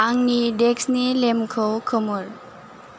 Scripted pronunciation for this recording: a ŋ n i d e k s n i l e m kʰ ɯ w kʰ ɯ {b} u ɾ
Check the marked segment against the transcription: incorrect: m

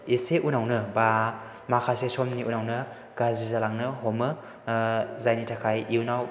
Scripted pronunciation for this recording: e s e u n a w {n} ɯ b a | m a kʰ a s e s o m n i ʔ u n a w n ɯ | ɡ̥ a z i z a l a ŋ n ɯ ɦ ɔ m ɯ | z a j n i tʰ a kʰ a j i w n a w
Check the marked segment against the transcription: correct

